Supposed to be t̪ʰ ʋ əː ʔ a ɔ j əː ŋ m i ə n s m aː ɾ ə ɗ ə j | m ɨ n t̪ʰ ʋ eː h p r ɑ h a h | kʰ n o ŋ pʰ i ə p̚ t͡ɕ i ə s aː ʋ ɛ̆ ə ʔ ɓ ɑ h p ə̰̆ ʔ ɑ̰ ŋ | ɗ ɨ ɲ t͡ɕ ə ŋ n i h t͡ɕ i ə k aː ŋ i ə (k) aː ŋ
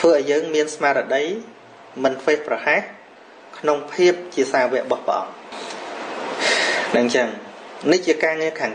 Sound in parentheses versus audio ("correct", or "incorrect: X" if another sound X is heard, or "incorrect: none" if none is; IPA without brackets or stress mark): incorrect: kʰ